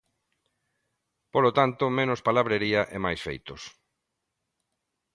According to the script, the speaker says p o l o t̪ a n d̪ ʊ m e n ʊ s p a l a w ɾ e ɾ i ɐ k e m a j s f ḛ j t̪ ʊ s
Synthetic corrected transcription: p o l o t̪ a n t̪ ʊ m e n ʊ s p a l a β ɾ e ɾ i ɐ ʔ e m a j s f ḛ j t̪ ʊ s